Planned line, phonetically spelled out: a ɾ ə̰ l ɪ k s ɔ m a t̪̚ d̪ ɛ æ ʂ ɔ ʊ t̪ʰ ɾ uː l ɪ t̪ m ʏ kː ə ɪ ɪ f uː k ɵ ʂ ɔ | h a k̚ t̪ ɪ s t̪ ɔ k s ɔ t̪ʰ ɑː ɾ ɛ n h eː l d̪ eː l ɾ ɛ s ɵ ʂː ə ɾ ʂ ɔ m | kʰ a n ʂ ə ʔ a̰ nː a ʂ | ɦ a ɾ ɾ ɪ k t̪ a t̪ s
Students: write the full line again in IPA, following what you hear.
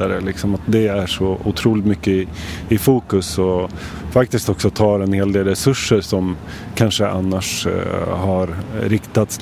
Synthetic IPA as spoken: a ɾ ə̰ l ɪ k s ɔ m a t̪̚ d̪ ɛ æ ʂ ɔ ʊ t̪ʰ ɾ uː l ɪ t̪ m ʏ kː ə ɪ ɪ f uː k ɵ s ɔ | f a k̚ t̪ ɪ s t̪ ɔ k s ɔ t̪ʰ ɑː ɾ ɛ n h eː l d̪ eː l ɾ ɛ s ɵ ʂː ə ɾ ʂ ɔ m | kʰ a n ʂ ə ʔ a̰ nː a ʂ | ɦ a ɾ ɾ ɪ k t̪ a t̪ s